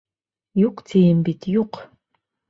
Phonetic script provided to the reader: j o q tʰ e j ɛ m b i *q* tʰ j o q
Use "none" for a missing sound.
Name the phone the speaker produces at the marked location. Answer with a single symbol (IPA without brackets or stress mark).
none